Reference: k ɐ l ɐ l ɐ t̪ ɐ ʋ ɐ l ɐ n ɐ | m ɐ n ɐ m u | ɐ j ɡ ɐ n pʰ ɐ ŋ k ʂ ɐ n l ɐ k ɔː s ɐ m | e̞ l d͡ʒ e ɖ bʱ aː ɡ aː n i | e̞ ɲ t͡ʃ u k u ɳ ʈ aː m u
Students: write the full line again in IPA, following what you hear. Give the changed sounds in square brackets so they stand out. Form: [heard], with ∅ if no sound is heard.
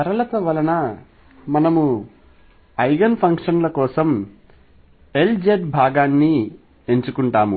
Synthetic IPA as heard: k ɐ [ɾ] ɐ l ɐ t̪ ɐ ʋ ɐ l ɐ n ɐ | m ɐ n ɐ m u | ɐ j ɡ ɐ n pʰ ɐ ŋ k ʂ ɐ n l ɐ k ɔː s ɐ m | e̞ l d͡ʒ e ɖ bʱ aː ɡ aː [nː] i | e̞ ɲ t͡ʃ u k u ɳ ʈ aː m u